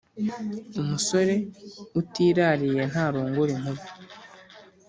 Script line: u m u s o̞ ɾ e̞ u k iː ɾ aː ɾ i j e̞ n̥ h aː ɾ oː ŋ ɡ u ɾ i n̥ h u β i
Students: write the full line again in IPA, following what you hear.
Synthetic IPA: u m u s o̞ ɾ e̞ u t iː ɾ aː ɾ i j e̞ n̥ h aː ɾ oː ŋ ɡ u ɾ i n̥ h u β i

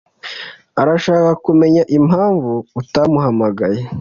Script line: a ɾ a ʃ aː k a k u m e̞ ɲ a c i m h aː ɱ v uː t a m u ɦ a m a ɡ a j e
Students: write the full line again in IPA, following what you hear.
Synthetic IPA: a ɾ a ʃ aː k a k u m e̞ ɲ a ʔ i m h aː ɱ v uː t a m u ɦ a m a ɡ a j e

